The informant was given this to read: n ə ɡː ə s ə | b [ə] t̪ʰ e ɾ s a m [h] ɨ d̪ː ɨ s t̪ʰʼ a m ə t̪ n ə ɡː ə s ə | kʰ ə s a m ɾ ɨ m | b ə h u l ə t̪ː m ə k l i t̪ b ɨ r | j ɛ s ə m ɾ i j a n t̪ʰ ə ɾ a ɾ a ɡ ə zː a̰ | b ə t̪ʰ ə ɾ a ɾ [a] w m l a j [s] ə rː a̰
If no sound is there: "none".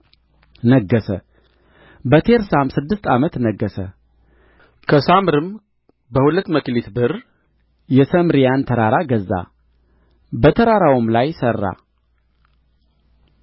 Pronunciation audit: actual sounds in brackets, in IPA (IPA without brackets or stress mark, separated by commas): ə, s, a, s